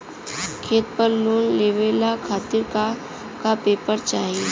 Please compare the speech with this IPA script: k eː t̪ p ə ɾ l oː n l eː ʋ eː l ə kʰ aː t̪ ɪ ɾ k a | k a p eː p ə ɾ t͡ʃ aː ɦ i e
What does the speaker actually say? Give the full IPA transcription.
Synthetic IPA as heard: kʰ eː t̪ p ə ɾ l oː n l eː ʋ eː l a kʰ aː t̪ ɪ ɾ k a | k a p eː p ə ɾ t͡ʃ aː ɦ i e